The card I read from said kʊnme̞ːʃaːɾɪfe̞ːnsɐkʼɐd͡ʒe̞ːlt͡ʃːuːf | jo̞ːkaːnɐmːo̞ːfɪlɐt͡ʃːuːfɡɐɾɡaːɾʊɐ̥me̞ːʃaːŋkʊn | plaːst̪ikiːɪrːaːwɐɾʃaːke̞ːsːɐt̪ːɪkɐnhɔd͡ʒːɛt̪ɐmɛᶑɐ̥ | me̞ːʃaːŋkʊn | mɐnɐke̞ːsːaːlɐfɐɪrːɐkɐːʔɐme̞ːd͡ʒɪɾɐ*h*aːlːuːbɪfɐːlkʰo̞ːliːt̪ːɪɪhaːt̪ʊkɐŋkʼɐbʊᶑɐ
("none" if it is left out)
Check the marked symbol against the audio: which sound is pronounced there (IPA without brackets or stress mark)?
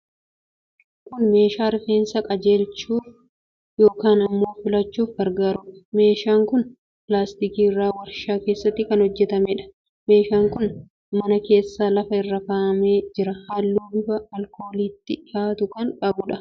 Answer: h